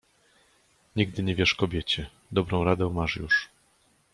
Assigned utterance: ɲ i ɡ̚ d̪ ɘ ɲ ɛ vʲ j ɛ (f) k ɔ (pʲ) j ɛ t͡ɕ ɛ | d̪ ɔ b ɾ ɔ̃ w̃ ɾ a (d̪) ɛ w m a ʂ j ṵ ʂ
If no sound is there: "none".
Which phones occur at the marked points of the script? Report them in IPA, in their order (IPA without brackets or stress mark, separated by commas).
ʂ, bʲ, d̪